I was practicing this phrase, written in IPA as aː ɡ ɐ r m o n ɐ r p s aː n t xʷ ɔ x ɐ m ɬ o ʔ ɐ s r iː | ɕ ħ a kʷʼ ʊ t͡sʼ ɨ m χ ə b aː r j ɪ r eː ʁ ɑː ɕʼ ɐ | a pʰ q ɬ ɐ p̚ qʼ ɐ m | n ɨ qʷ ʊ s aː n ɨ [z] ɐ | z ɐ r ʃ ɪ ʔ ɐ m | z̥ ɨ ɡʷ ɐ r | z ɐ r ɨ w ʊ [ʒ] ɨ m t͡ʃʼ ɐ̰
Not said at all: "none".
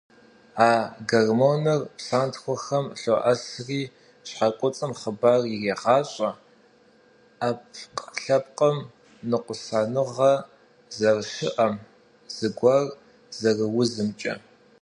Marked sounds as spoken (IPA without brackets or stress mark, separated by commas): ʁ, z